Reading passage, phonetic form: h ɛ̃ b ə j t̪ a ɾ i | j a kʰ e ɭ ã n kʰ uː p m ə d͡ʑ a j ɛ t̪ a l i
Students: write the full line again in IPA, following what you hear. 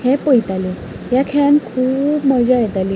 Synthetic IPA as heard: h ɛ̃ p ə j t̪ a l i | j a kʰ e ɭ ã n kʰ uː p m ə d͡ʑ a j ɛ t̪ a l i